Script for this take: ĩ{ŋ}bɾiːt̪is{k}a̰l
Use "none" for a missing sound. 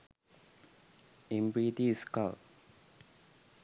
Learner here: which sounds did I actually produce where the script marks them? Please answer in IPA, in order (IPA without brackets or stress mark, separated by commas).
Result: m, k